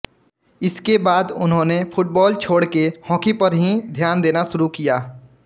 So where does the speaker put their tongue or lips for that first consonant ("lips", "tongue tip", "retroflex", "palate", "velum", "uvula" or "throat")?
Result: tongue tip